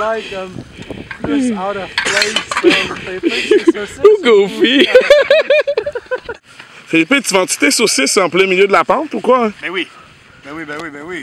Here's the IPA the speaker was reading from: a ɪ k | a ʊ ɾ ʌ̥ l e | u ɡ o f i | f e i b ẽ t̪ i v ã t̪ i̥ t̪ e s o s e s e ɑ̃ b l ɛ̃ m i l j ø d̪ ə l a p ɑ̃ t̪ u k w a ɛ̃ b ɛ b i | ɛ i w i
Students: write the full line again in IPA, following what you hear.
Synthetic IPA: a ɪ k | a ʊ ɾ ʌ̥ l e | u ɡ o f i | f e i p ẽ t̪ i v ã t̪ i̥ t̪ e s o s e s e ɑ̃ p l ɛ̃ m i l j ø d̪ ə l a p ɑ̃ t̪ u k w a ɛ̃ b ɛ w i | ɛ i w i